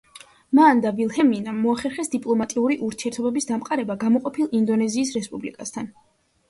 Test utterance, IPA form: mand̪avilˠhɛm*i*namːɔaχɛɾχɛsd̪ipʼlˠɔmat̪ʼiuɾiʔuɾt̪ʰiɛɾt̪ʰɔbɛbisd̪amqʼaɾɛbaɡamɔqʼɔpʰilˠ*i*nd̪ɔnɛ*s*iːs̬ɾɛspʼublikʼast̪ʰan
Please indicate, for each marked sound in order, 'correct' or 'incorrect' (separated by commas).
correct, correct, incorrect